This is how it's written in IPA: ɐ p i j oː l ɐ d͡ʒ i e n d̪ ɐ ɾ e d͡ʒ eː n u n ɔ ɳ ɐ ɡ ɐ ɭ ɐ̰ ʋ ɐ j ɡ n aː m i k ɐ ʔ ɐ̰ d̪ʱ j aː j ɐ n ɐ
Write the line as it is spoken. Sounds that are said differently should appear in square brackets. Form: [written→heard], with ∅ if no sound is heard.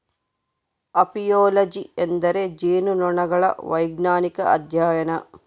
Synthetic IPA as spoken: ɐ p i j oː l ɐ d͡ʒ i e n d̪ ɐ ɾ e d͡ʒ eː n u n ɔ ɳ ɐ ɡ ɐ ɭ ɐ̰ ʋ ɐ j ɡ n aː [m→n] i k ɐ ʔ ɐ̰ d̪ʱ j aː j ɐ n ɐ